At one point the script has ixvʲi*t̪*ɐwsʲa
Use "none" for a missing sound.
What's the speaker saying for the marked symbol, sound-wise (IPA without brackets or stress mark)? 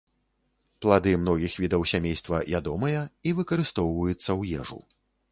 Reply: d̪